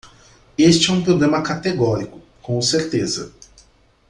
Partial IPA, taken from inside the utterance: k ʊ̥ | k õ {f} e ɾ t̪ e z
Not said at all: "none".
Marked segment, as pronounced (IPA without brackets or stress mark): s